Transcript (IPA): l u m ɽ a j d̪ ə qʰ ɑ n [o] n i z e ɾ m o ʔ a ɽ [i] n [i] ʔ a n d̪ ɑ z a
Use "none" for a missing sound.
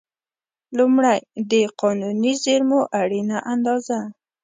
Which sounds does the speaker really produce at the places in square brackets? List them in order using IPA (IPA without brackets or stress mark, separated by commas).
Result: u, i, a